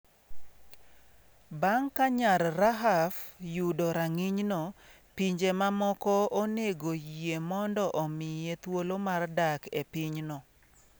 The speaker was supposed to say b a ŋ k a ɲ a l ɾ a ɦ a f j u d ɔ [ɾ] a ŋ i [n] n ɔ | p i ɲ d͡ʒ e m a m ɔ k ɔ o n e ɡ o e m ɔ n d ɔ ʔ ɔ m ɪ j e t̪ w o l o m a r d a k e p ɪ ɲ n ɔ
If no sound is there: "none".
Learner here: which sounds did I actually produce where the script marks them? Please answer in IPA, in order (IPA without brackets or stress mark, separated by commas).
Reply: ɾ, ɲ